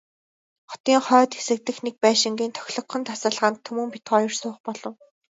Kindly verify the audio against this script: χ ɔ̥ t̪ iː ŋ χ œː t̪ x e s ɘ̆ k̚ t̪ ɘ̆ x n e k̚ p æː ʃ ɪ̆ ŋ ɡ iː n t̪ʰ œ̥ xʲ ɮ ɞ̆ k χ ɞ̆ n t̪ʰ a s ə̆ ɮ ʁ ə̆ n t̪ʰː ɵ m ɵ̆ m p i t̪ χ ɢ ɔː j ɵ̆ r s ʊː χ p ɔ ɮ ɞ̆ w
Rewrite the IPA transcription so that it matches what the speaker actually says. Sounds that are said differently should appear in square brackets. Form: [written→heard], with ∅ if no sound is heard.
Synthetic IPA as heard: χ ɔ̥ t̪ iː ŋ χ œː t̪ x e s ɘ̆ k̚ t̪ ɘ̆ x n e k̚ p æː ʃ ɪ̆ ŋ ɡ iː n t̪ʰ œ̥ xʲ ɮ ɞ̆ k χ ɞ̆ n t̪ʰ a s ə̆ ɮ ʁ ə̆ n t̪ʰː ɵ m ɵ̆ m p i t̪ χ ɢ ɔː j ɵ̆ r s ʊː χ p ɔ ɮ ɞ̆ w